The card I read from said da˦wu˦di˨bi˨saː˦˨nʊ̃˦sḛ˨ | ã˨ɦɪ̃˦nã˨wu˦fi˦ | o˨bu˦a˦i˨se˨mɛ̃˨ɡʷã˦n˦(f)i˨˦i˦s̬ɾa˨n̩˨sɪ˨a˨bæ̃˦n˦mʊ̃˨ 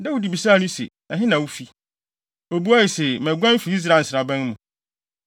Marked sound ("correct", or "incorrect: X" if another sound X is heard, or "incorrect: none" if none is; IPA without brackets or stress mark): correct